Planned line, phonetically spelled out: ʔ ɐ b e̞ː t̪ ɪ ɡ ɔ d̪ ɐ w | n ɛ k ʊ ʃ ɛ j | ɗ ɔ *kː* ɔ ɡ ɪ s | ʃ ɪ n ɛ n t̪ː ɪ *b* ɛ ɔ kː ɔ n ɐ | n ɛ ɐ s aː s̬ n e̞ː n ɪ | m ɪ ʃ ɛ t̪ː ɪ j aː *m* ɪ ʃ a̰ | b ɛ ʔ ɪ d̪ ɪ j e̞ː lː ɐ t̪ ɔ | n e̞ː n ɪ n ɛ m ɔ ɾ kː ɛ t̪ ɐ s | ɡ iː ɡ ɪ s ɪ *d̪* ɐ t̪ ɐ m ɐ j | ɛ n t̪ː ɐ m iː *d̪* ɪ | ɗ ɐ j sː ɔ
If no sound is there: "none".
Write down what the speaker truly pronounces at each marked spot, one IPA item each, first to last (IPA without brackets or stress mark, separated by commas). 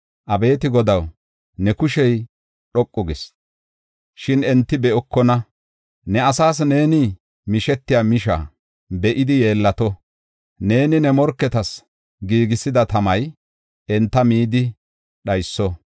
kʼː, b, m, d̪, d̪